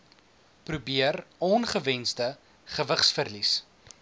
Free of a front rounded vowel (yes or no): yes